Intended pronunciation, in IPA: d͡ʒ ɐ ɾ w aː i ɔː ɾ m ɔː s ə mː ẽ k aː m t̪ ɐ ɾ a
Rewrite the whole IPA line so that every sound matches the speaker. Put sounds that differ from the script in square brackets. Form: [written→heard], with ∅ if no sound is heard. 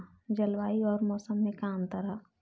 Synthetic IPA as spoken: d͡ʒ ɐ [ɾ→l] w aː i ɔː ɾ m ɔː s ə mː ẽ k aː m t̪ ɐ ɾ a